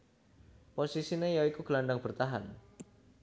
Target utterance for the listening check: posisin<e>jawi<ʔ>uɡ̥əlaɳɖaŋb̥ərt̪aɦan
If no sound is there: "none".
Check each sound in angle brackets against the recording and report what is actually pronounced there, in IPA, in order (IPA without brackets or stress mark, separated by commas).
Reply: e, k